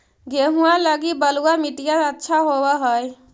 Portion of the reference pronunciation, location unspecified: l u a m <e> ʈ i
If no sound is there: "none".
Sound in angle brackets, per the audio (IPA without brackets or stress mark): i